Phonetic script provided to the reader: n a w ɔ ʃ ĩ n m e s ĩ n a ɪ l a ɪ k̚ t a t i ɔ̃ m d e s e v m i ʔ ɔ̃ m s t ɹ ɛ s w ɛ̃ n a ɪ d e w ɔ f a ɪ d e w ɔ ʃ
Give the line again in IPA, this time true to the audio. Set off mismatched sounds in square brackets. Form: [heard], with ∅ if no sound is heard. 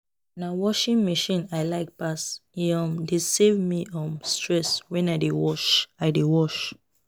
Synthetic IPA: n a w ɔ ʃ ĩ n m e [ʃ] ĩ n a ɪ l a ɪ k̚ [p] a [s] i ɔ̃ m d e s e v m i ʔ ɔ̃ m s t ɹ ɛ s w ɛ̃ n a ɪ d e w ɔ [ʃ] a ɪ d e w ɔ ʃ